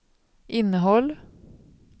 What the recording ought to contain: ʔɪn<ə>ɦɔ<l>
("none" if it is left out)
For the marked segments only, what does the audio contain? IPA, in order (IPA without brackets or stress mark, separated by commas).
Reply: ə, l